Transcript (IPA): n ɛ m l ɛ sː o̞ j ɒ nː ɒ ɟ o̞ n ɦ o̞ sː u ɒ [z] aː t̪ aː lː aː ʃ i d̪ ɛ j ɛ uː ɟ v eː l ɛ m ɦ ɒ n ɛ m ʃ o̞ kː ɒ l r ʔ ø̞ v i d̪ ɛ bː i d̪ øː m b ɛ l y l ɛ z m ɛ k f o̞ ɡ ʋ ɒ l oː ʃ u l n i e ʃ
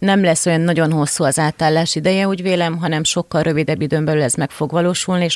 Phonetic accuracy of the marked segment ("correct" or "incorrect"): correct